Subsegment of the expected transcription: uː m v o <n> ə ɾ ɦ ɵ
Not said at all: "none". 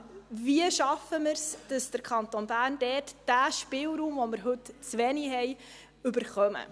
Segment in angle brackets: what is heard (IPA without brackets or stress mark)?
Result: m